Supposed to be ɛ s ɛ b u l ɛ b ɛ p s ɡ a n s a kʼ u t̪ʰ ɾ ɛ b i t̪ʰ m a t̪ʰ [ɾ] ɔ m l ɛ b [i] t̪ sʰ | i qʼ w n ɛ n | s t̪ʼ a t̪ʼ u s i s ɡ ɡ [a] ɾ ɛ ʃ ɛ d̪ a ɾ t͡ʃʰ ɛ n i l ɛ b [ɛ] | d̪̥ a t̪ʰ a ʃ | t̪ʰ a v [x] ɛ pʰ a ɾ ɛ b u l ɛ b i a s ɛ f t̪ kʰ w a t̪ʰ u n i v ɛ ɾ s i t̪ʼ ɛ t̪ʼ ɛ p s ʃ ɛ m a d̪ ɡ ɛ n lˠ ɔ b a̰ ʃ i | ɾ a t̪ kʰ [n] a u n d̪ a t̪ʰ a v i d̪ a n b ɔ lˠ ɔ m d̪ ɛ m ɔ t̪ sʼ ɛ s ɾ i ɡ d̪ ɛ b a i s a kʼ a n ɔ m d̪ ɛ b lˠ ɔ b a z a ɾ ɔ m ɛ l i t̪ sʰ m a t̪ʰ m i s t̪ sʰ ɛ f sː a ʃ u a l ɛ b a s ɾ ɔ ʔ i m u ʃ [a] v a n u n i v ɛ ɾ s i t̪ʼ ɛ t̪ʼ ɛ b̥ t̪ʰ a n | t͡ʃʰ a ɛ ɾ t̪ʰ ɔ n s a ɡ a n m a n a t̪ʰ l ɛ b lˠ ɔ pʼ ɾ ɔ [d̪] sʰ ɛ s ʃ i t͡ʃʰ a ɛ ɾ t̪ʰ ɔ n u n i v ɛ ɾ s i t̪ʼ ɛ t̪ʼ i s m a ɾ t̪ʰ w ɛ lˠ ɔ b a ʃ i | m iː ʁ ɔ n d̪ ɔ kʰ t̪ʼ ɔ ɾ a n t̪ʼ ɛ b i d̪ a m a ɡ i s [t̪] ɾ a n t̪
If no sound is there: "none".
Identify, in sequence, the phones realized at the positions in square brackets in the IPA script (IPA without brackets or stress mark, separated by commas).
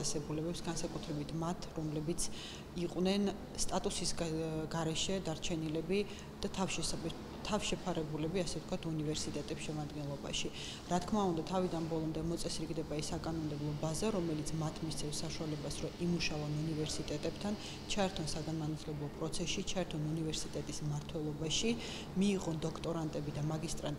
ɾ, i, a, i, ʃ, m, a, t̪, t̪ʼ